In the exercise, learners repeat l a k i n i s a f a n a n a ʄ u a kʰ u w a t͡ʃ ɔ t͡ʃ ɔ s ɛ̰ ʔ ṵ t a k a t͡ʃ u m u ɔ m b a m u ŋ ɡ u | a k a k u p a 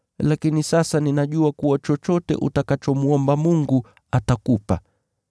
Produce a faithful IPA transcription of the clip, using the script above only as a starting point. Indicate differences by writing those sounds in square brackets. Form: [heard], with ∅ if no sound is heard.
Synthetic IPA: l a k i n i s a [s] a n [i] n a ʄ u a [k] u w a t͡ʃ ɔ t͡ʃ ɔ [t] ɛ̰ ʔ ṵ t a k a t͡ʃ [ɔ] m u ɔ m b a m u ŋ ɡ u | a [t] a k u p a